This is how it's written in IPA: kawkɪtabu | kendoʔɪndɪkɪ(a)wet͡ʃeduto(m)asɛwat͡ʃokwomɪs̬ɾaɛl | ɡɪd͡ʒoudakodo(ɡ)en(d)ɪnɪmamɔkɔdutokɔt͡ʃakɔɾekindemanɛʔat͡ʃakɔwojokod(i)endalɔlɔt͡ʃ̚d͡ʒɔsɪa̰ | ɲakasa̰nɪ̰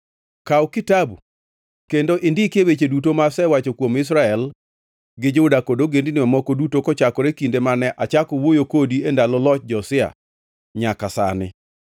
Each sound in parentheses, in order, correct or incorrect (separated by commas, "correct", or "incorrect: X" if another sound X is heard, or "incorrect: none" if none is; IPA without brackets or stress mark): incorrect: e, correct, correct, correct, correct